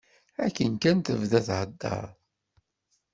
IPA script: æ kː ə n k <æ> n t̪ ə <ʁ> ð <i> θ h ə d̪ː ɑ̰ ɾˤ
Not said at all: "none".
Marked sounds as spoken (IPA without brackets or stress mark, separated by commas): æ, v, æ